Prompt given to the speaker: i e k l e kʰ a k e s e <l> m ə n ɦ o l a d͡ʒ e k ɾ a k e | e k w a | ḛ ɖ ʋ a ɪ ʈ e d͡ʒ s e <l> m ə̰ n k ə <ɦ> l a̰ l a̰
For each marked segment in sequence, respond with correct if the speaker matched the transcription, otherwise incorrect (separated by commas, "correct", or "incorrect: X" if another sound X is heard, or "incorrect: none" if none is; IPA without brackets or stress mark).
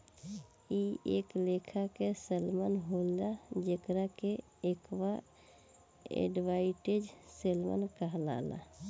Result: correct, correct, correct